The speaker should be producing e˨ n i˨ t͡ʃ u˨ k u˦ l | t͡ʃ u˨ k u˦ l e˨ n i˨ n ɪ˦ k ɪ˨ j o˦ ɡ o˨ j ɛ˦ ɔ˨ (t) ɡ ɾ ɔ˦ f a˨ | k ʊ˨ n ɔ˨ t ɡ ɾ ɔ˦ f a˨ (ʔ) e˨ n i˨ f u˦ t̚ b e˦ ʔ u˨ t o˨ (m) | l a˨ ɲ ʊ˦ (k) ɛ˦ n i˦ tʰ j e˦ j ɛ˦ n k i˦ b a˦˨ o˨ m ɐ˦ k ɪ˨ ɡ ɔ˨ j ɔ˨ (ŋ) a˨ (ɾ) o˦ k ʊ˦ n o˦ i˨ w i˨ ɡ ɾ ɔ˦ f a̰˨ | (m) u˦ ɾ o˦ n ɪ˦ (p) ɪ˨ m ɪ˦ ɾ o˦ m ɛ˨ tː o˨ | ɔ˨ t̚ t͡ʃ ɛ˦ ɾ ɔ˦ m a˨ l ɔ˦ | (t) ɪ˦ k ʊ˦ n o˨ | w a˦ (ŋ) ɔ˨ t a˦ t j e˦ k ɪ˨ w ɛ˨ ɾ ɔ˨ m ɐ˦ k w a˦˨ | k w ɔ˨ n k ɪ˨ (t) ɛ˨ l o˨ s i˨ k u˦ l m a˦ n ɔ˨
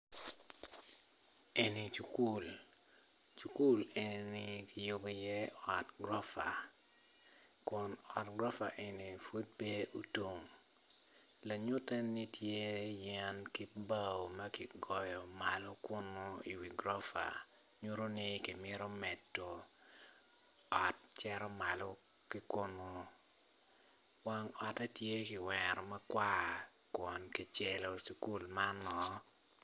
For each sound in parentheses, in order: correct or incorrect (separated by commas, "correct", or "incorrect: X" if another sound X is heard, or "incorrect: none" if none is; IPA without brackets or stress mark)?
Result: correct, correct, incorrect: ŋ, incorrect: t, incorrect: m, incorrect: l, incorrect: ɲ, incorrect: k, incorrect: k, correct, incorrect: t͡ʃ